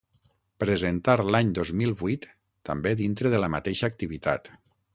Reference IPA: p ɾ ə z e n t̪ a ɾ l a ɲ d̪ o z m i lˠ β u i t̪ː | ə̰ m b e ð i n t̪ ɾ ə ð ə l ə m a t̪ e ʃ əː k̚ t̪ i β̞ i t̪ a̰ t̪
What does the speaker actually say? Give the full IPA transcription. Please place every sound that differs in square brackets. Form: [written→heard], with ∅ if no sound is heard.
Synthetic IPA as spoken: p ɾ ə z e n t̪ a ɾ l a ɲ d̪ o z m i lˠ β u [i→j] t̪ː | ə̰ m b e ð i n t̪ ɾ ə ð ə l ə m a t̪ e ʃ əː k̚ t̪ i β̞ i t̪ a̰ t̪

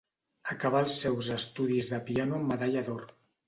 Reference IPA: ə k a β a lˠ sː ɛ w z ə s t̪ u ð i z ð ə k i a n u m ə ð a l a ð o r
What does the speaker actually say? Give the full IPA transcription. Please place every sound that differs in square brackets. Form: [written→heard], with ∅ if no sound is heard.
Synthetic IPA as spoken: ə k a β a lˠ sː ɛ w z ə s t̪ u ð i z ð ə [k→p] i a n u m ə ð a [l→ʎ] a ð o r

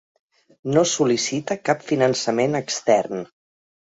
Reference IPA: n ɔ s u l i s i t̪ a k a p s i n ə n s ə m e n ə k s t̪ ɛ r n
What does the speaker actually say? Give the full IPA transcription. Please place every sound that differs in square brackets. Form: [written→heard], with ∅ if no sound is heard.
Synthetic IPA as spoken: n [ɔ→o] s u l i s i t̪ [a→ə] k a p [s→f] i n ə n s ə m e n ə k s t̪ ɛ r n

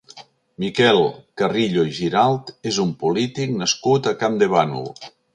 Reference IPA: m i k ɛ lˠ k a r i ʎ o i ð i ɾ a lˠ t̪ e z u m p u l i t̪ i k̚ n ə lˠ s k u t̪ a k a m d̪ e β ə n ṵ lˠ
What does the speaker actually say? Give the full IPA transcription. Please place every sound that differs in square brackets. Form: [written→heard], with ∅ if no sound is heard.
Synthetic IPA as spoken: m i k ɛ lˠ k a r i ʎ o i [ð→ʒ] i ɾ a lˠ t̪ e z u m p u l i t̪ i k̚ n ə [lˠ→∅] s k u t̪ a k a m d̪ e β [ə→a] n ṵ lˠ

